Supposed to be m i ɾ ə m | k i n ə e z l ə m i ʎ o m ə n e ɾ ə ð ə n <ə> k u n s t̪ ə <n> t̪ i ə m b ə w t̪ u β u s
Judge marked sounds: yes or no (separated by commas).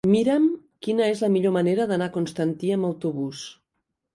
no, yes